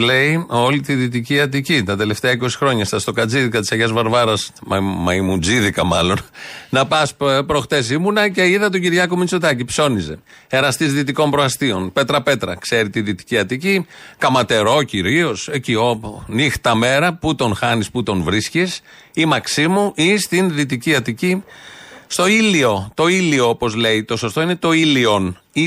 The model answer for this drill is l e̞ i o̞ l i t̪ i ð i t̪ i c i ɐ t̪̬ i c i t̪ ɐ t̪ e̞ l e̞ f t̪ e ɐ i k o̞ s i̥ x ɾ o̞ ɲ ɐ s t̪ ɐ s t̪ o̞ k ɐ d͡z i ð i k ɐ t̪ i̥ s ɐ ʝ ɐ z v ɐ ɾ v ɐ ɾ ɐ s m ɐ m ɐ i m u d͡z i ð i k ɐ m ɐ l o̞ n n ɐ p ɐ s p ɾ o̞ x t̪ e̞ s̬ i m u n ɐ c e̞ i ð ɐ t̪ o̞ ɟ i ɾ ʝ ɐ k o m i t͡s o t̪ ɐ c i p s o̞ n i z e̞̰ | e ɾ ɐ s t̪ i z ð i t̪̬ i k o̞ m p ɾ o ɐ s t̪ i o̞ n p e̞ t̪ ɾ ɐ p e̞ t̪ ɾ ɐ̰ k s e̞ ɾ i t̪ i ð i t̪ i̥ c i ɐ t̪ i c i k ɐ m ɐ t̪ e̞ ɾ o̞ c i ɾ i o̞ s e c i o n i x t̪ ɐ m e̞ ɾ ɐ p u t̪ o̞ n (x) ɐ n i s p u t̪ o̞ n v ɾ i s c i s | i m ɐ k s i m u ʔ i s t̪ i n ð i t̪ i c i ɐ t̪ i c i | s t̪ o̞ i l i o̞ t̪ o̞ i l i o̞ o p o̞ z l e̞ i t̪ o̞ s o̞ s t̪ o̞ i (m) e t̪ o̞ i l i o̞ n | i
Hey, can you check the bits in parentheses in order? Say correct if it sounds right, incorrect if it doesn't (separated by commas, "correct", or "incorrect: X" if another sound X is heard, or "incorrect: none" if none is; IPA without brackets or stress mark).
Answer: correct, incorrect: n